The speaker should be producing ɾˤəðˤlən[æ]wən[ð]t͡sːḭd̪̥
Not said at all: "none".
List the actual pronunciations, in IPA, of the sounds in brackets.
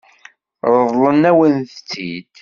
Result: æ, θ

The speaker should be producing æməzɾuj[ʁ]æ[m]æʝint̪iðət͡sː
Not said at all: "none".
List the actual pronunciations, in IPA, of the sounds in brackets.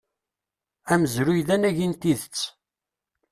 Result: ð, n

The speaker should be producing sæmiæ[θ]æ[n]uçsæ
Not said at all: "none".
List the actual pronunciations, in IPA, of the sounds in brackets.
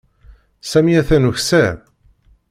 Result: θ, n

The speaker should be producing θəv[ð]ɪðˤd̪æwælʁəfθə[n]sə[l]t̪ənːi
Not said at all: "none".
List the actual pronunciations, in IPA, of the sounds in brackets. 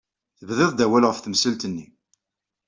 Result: ð, m, l

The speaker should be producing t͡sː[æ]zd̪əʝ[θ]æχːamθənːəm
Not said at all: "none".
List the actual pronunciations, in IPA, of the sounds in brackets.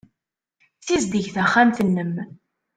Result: i, θ

